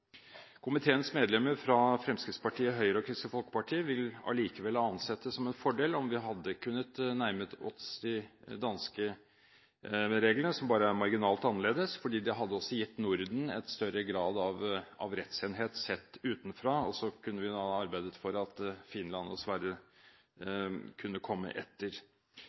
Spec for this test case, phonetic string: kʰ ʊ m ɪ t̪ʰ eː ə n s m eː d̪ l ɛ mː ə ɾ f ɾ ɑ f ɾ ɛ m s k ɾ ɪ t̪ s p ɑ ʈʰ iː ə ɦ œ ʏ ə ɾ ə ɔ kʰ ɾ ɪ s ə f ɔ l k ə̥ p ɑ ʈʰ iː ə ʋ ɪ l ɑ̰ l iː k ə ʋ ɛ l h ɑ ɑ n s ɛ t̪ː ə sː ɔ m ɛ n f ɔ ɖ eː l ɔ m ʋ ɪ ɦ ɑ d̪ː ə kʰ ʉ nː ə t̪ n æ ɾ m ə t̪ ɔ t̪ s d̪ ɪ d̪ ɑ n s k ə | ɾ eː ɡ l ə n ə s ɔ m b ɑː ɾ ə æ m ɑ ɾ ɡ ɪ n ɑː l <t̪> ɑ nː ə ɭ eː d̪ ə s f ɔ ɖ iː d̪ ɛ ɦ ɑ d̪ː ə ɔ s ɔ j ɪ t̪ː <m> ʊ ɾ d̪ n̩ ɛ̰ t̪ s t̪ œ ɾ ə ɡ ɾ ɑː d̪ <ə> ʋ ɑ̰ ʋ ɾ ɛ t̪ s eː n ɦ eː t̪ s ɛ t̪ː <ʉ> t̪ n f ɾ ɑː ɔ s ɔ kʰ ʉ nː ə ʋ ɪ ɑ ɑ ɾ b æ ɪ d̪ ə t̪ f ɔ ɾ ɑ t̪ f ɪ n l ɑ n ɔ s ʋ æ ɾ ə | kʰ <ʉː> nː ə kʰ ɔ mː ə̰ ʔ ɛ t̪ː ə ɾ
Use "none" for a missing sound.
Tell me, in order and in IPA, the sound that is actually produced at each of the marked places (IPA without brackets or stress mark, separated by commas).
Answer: t̪, n, ɑ, ʉː, ʉ